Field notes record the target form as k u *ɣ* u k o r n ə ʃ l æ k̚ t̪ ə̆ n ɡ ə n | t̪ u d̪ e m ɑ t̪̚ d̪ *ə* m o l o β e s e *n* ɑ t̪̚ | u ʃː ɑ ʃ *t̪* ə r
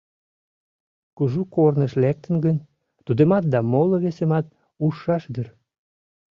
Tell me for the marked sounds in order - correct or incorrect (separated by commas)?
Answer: incorrect, incorrect, incorrect, incorrect